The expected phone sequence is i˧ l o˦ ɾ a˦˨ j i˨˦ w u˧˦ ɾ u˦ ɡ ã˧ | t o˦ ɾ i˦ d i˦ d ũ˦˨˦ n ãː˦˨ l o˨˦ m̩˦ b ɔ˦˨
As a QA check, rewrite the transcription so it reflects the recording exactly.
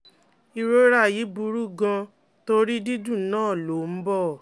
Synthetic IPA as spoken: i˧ ɾ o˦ ɾ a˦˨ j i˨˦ b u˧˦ ɾ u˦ ɡ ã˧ | t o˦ ɾ i˦ d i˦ d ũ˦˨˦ n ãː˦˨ l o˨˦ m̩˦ b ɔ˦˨